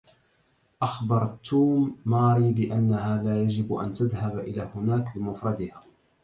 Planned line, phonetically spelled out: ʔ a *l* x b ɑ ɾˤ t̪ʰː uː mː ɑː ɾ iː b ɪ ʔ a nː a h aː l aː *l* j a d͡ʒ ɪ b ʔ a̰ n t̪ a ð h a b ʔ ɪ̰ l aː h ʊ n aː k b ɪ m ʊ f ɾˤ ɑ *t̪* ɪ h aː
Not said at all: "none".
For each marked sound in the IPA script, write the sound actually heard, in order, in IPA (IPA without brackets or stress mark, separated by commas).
none, none, d̪